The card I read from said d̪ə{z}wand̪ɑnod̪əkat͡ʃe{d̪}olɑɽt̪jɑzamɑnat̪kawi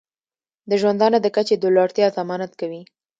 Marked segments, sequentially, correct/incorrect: incorrect: ʒ, correct

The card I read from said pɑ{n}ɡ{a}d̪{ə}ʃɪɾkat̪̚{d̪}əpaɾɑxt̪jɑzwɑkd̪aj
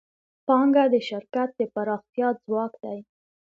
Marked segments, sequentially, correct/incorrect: incorrect: ŋ, correct, correct, correct

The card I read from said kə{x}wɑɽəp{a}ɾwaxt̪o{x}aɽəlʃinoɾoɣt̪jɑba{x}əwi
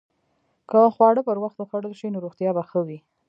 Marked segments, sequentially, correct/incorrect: correct, incorrect: ə, correct, correct

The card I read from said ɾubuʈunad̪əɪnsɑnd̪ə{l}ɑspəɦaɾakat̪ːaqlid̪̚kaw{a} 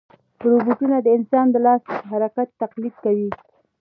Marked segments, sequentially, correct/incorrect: correct, incorrect: i

